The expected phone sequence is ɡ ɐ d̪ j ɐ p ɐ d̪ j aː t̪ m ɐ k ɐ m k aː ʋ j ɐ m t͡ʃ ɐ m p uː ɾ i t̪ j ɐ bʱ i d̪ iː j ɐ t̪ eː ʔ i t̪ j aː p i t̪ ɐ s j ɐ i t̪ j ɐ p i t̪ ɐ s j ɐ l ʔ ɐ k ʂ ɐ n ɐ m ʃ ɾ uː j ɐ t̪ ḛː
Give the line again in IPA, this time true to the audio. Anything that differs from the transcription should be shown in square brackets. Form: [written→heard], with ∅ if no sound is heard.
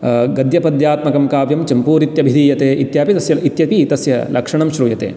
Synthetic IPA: ɡ ɐ d̪ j ɐ p ɐ d̪ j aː t̪ m ɐ k ɐ m k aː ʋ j ɐ m t͡ʃ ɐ m p uː ɾ i t̪ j ɐ bʱ i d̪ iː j ɐ t̪ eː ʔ i t̪ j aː p i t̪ ɐ s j ɐ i t̪ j ɐ p i t̪ ɐ s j ɐ l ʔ ɐ k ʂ ɐ [n→ɳ] ɐ m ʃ ɾ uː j ɐ t̪ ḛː